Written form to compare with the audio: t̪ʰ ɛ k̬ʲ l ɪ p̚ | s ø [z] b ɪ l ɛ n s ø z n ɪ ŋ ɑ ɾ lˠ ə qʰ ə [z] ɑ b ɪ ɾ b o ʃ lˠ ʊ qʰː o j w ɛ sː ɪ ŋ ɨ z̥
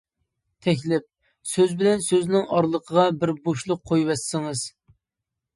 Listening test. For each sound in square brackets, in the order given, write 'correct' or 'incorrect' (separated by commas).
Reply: correct, incorrect